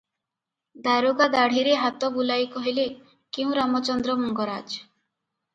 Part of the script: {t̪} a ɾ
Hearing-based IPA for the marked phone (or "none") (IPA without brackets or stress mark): d̪